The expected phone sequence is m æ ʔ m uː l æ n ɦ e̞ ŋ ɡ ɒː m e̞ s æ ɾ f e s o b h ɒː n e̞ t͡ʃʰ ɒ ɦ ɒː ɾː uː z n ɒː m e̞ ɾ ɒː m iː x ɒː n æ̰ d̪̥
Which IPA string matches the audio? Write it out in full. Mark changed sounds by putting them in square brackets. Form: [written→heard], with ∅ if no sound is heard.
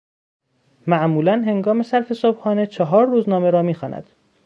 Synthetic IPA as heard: m æ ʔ m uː l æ n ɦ e̞ ŋ ɡ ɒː m e̞ s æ ɾ f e s o b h ɒː n e̞ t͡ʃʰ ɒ ɦ ɒː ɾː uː z n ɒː m e̞ ɾ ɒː m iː x ɒː n æ̰ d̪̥